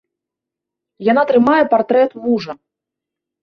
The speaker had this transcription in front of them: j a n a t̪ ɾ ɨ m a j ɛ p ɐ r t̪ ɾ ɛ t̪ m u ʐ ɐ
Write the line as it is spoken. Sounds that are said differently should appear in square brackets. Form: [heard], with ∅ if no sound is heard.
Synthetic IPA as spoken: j a n a t̪ ɾ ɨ m a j ɛ p [a] r t̪ ɾ ɛ t̪ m u ʐ ɐ

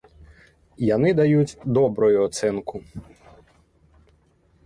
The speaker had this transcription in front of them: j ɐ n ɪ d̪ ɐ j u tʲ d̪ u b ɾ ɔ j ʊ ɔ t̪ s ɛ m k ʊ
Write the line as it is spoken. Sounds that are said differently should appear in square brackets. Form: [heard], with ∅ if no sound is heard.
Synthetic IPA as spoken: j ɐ n ɪ d̪ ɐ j u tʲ d̪ [ɔ] b ɾ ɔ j ʊ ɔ t̪ s ɛ [n] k ʊ

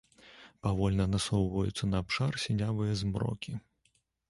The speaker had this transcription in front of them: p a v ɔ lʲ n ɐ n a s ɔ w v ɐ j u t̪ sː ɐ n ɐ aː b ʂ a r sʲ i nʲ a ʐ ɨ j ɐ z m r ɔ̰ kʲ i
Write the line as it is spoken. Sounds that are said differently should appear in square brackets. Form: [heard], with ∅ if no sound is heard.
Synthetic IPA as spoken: p a v ɔ lʲ n ɐ n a s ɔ w v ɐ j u t̪ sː ɐ n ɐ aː [p] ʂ a r sʲ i nʲ a [v] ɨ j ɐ z m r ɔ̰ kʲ i

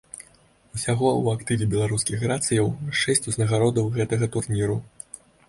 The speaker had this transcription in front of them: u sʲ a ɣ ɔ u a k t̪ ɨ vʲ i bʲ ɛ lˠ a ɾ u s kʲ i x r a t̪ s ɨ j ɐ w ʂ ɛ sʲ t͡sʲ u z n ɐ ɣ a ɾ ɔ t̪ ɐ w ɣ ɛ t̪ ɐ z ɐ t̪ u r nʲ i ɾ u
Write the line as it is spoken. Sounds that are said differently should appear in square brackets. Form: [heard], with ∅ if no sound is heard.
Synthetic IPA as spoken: u sʲ a ɣ ɔ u a k t̪ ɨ vʲ i bʲ ɛ lˠ a ɾ u s kʲ i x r a t̪ s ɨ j ɐ w ʂ ɛ sʲ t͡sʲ u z n ɐ ɣ a ɾ ɔ [d̪] ɐ w ɣ ɛ t̪ ɐ [ɣ] ɐ t̪ u r nʲ i ɾ u

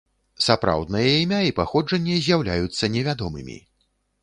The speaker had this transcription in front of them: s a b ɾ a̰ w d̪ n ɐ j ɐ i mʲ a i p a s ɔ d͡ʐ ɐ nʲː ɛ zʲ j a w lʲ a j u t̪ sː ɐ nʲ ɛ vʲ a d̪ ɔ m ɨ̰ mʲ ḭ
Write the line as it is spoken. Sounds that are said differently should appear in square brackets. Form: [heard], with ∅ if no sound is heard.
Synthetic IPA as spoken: s a [p] ɾ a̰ w d̪ n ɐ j ɐ i mʲ a i p a [x] ɔ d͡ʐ ɐ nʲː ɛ zʲ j a w lʲ a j u t̪ sː ɐ nʲ ɛ vʲ a d̪ ɔ m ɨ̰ mʲ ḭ

